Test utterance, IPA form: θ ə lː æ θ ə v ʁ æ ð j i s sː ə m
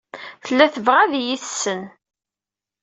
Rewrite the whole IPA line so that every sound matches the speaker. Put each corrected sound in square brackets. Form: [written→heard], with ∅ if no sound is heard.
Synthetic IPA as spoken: θ ə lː æ θ ə v ʁ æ ð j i [s→θ] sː ə [m→n]